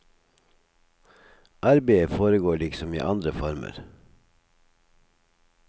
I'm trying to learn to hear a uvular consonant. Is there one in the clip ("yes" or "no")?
no